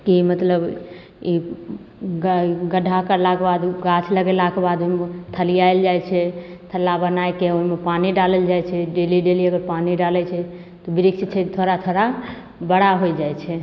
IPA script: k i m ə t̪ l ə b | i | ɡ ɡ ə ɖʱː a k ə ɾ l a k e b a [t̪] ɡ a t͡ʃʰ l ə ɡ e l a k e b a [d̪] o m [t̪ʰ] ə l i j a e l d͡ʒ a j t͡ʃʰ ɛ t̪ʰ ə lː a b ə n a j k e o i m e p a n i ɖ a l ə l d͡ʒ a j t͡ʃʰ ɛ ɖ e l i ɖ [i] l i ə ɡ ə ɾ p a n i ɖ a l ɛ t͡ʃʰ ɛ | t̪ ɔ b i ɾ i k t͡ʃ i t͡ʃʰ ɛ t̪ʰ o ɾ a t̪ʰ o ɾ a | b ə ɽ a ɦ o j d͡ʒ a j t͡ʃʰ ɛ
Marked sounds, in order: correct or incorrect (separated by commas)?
incorrect, correct, correct, incorrect